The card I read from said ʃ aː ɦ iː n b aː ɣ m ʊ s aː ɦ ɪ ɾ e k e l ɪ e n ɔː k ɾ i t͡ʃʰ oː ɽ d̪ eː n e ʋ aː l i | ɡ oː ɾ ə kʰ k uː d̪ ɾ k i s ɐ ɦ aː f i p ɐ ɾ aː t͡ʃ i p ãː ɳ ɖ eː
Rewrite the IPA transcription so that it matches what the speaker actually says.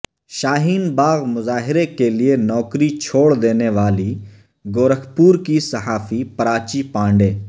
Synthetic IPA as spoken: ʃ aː ɦ iː n b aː ɣ m ʊ z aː ɦ ɪ ɾ e k e l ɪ e n ɔː k ɾ i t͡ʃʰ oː ɽ d̪ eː n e ʋ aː l i | ɡ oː ɾ ə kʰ p uː ɾ k i s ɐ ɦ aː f i p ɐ ɾ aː t͡ʃ i p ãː ɳ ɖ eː